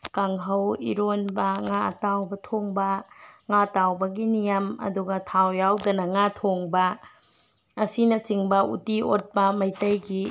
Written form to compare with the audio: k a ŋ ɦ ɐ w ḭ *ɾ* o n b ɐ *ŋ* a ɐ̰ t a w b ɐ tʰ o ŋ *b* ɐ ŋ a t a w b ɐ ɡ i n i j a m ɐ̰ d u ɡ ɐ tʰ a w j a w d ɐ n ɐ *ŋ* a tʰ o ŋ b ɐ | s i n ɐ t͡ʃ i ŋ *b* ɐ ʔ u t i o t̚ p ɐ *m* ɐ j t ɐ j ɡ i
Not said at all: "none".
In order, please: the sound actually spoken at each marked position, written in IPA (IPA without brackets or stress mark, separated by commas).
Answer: ɾ, ŋ, b, ŋ, b, m